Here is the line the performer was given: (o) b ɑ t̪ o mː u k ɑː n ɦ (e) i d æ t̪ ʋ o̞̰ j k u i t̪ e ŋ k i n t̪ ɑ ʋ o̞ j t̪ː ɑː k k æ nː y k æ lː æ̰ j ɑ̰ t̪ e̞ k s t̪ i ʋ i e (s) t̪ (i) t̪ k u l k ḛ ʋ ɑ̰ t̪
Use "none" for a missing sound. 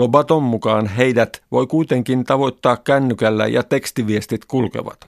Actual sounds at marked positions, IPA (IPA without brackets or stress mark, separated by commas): o, e, s, i